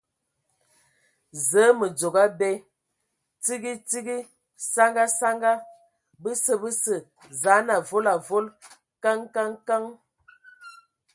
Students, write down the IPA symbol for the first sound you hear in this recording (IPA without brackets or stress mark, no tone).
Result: z